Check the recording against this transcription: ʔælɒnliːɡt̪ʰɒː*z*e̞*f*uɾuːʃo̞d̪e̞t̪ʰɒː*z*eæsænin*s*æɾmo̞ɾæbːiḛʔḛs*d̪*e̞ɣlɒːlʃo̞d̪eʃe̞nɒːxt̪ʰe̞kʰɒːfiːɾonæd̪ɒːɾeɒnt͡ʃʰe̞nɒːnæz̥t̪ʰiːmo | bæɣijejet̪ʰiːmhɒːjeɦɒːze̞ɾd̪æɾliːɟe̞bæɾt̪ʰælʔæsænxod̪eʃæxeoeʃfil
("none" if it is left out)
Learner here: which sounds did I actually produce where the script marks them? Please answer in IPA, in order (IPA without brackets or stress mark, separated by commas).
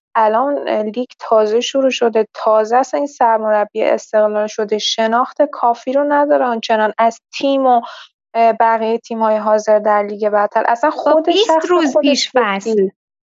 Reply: z, ʃ, z, s, t̪